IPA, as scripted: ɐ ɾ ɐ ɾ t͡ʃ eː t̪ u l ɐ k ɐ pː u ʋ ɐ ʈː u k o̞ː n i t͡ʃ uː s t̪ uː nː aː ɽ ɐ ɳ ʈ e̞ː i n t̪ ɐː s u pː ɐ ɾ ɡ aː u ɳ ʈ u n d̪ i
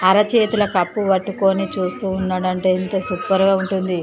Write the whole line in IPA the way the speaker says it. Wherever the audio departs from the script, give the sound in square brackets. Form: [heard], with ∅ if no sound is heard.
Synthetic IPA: ɐ ɾ ɐ [∅] t͡ʃ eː t̪ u l ɐ k ɐ pː u ʋ ɐ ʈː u k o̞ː n i t͡ʃ uː s t̪ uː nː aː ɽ ɐ ɳ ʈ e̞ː i n t̪ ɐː s u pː ɐ ɾ ɡ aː u ɳ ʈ u n d̪ i